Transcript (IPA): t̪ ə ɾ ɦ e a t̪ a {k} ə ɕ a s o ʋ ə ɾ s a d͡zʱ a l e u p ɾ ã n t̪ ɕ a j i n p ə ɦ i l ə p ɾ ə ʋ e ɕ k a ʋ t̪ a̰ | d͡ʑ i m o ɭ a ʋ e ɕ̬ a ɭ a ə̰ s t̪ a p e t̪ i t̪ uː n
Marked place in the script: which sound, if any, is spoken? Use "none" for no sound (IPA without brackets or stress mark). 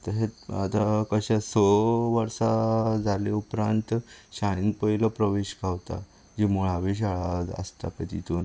k